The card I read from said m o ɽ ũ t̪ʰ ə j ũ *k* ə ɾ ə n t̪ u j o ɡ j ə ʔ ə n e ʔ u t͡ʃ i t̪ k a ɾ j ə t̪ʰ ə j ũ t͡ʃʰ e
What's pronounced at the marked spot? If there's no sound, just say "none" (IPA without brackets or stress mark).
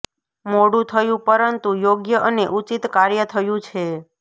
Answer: p